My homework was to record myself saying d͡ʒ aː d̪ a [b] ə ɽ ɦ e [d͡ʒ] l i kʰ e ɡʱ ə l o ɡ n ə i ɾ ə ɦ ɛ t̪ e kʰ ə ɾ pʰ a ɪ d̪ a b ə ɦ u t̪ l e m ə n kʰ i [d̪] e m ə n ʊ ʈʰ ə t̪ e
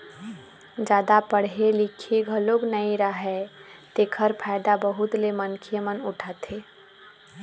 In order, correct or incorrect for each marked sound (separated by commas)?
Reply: incorrect, incorrect, incorrect